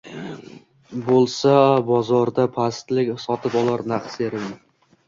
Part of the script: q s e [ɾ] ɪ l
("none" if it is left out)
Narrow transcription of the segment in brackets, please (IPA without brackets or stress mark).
ɾ